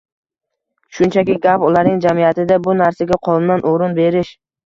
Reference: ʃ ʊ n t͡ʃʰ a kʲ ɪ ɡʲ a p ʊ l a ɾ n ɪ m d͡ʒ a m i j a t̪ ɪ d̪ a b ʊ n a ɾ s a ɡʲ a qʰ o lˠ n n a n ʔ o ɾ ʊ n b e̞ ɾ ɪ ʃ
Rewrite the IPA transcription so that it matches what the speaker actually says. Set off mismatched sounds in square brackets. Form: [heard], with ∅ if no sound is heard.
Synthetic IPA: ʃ ʊ n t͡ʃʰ a kʲ ɪ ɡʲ a p ʊ l a ɾ n ɪ [ŋ] d͡ʒ a m i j a t̪ ɪ d̪ a b ʊ n a ɾ s a ɡʲ a qʰ [ɒ] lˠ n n a n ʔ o ɾ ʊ n b e̞ ɾ ɪ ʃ